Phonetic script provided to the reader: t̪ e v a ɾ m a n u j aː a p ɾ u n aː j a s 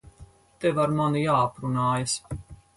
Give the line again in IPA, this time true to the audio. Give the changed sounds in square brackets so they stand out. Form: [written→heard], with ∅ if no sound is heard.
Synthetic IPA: t̪ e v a ɾ m a n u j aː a p ɾ u n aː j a s